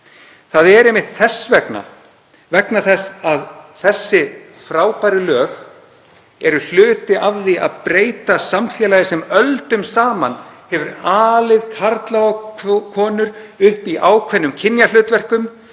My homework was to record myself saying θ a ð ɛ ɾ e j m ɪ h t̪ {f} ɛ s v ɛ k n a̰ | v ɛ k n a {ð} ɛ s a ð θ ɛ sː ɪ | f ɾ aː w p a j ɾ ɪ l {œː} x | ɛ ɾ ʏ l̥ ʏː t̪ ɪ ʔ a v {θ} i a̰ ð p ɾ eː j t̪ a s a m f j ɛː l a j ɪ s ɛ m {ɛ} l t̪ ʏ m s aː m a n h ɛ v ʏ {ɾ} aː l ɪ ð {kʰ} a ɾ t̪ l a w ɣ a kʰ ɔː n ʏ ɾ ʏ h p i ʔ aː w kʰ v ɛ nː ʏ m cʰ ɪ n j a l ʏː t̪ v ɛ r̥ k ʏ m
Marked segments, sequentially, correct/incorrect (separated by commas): incorrect, incorrect, correct, incorrect, incorrect, correct, correct